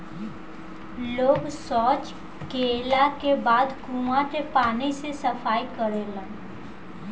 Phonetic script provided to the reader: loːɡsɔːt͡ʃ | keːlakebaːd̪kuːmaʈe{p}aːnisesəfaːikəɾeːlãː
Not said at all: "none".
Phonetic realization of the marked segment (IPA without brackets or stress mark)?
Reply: p